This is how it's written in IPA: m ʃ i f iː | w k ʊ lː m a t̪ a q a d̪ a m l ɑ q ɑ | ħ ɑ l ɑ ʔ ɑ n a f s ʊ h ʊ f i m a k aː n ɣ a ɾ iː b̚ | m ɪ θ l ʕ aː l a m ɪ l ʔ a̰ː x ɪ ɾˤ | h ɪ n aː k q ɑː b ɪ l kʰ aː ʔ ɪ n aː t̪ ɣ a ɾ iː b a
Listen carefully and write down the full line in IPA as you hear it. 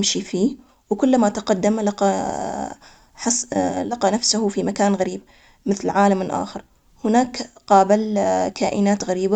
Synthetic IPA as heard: m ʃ i f iː | w k ʊ lː m a t̪ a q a d̪ː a m l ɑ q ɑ | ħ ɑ l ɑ q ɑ n a f s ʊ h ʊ f i m a k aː n ɣ a ɾ iː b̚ | m ɪ θ l ʕ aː l a m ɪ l ʔ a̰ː x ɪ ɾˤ | h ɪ n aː k q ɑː b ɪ l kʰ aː ʔ ɪ n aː t̪ ɣ a ɾ iː b a